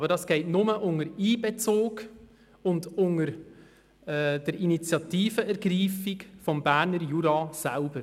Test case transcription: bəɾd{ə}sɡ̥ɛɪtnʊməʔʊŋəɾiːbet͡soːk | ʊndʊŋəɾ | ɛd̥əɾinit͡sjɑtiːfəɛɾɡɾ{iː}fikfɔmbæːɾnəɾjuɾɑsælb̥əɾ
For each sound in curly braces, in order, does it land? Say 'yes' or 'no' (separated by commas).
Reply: no, yes